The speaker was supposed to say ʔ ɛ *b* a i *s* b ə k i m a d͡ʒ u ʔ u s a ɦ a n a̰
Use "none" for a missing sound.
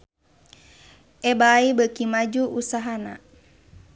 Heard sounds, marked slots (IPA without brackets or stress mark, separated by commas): b, none